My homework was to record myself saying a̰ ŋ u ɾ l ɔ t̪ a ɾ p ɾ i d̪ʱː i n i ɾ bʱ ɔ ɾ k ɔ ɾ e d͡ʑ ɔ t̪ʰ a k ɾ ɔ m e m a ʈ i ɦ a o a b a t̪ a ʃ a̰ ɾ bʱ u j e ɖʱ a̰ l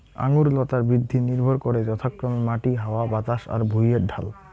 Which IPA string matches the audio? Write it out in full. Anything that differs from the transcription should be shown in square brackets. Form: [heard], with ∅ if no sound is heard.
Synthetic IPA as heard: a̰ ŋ u ɾ l ɔ t̪ a ɾ [b] ɾ i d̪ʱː i n i ɾ bʱ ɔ ɾ k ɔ ɾ e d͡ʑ ɔ t̪ʰ a k ɾ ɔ m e m a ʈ i ɦ a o a b a t̪ a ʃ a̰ ɾ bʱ u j e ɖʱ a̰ l